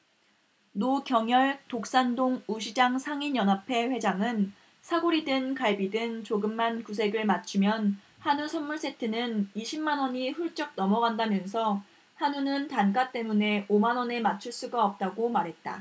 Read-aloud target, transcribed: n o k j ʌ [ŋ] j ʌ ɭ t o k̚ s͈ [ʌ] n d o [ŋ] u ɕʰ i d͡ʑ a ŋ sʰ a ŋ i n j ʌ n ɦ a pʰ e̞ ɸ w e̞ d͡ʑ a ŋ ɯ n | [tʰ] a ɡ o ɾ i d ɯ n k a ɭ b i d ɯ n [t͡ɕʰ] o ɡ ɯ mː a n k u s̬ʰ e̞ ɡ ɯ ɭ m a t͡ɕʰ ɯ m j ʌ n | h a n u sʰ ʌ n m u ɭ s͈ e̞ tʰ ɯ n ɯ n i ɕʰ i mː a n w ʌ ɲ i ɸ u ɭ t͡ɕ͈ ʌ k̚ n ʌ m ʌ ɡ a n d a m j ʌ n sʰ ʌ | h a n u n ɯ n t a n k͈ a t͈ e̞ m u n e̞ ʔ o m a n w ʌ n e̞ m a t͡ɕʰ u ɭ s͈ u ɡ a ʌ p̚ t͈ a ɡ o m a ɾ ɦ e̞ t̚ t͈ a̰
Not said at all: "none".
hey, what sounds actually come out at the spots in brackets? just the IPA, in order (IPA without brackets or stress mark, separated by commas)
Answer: ŋ, a, ŋ, sʰ, t͡ɕ